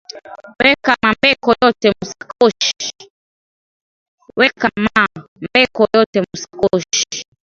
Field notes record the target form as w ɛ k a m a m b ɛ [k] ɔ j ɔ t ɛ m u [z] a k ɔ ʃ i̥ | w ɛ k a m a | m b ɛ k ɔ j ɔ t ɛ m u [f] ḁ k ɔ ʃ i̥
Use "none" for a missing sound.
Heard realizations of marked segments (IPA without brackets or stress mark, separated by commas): k, s, s